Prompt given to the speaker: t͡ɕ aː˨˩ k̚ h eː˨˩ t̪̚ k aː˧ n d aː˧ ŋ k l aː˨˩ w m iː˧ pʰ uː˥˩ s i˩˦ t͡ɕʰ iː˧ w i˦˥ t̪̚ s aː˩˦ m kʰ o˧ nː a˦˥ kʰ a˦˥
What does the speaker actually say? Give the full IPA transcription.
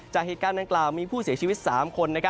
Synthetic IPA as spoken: t͡ɕ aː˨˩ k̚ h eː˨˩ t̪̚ k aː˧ n d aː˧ ŋ k l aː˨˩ w m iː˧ pʰ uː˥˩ s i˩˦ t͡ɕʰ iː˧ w i˦˥ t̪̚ s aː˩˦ m kʰ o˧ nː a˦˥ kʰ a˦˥

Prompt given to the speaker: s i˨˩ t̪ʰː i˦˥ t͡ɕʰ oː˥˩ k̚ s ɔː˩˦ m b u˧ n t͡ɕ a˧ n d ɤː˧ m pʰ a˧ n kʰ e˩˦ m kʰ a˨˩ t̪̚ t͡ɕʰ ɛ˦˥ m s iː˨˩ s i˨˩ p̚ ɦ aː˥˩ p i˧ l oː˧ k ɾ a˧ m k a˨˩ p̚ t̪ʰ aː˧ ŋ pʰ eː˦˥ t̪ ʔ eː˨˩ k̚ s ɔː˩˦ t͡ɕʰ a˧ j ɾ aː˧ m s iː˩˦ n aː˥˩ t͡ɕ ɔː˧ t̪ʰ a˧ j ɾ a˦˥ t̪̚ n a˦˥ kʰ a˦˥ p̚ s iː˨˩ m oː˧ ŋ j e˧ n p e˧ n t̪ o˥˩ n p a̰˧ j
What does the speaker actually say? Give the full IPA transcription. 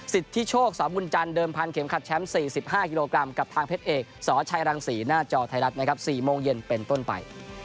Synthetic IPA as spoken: s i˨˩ t̪ʰː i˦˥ t͡ɕʰ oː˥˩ k̚ s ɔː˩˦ m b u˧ n t͡ɕ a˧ n d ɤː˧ m pʰ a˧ n kʰ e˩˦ m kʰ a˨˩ t̪̚ t͡ɕʰ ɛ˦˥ m s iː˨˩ s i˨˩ p̚ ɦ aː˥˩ k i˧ l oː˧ k ɾ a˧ m k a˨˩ p̚ t̪ʰ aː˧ ŋ pʰ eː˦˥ t̪ ʔ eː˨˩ k̚ s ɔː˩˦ t͡ɕʰ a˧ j ɾ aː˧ ŋ s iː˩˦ n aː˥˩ t͡ɕ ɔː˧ t̪ʰ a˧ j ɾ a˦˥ t̪̚ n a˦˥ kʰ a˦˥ p̚ s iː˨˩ m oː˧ ŋ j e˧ n p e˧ n t̪ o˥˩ n p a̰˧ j

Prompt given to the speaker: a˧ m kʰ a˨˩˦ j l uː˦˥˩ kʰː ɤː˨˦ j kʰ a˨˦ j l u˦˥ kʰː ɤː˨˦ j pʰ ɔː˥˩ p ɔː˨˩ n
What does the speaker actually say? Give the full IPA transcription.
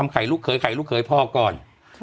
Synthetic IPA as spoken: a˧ m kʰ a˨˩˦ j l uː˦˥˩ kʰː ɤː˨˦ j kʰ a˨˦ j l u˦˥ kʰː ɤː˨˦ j pʰ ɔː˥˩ k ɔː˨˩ n

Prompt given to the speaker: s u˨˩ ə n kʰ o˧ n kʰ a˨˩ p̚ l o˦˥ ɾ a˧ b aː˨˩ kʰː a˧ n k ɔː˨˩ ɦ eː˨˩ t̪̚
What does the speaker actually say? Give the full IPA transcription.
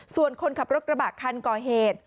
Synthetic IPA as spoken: s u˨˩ ə n kʰ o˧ n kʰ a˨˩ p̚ ɾ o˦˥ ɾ a˧ b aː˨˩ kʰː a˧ n k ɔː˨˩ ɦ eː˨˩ t̪̚

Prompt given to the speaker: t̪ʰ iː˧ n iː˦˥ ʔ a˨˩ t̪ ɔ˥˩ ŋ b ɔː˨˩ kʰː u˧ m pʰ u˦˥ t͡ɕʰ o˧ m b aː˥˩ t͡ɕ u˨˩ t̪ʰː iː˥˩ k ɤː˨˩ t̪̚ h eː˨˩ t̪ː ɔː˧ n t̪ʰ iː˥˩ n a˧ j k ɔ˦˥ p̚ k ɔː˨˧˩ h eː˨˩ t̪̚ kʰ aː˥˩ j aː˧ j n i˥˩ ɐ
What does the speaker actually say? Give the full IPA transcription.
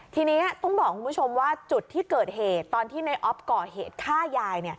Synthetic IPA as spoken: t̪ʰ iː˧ n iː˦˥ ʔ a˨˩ t̪ ɔ˥˩ ŋ b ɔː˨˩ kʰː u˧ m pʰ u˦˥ t͡ɕʰ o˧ m w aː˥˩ t͡ɕ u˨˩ t̪ʰː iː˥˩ k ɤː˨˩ t̪̚ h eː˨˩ t̪ː ɔː˧ n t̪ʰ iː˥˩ n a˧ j ʔ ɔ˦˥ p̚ k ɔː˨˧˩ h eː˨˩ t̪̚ kʰ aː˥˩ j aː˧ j n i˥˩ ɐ

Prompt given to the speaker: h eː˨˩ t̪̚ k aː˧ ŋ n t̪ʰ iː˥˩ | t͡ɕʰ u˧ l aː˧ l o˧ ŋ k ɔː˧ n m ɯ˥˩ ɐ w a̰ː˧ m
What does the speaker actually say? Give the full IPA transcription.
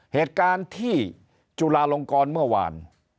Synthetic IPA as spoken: h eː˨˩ t̪̚ k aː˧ n t̪ʰ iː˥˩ | t͡ɕ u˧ l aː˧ l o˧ ŋ k ɔː˧ n m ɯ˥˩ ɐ w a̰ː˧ n

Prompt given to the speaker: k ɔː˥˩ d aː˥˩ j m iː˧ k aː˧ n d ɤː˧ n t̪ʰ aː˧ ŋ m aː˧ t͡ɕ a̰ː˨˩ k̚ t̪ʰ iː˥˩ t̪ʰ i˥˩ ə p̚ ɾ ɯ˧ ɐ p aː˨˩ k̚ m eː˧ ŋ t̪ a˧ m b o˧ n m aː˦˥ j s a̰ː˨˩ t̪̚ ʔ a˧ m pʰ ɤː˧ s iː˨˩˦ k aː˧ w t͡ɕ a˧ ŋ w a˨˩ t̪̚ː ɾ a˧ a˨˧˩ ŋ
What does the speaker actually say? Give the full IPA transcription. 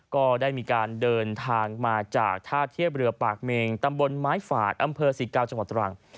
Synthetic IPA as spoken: k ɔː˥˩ d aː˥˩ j m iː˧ k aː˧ n d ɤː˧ n t̪ʰ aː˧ ŋ m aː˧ t͡ɕ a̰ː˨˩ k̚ t̪ʰ aː˥˩ t̪ʰ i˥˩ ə p̚ ɾ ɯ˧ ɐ p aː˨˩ k̚ m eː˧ ŋ t̪ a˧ m b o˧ n m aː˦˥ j f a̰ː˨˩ t̪̚ ʔ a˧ m pʰ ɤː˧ s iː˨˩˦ k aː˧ w t͡ɕ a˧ ŋ w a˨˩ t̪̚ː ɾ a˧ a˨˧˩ ŋ

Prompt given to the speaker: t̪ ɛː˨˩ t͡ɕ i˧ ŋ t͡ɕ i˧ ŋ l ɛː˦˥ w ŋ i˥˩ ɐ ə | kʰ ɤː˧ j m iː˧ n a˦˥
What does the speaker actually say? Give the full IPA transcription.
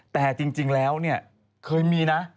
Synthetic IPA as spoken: t̪ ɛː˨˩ t͡ɕ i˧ ŋ t͡ɕ i˧ ŋ l ɛː˦˥ w n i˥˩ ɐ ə | kʰ ɤː˧ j m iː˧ n a˦˥

